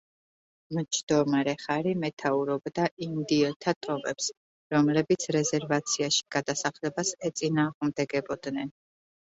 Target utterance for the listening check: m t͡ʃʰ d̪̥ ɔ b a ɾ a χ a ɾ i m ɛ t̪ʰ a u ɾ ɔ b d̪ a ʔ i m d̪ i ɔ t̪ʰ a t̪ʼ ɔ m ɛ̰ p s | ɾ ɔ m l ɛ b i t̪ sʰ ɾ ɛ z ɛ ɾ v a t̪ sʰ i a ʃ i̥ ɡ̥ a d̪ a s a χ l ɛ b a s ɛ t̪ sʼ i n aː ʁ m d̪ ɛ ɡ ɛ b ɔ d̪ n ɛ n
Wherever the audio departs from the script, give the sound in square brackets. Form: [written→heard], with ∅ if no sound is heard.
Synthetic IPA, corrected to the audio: m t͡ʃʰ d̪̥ ɔ [b→m] a ɾ [a→ɛ] χ a ɾ i m ɛ t̪ʰ a u ɾ ɔ b d̪ a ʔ i m d̪ i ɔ t̪ʰ a t̪ʼ ɔ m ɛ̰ p s | ɾ ɔ m l ɛ b i t̪ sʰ ɾ ɛ z ɛ ɾ v a t̪ sʰ i a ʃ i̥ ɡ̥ a d̪ a s a χ l ɛ b a s ɛ t̪ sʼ i n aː ʁ m d̪ ɛ ɡ ɛ b ɔ d̪ n ɛ n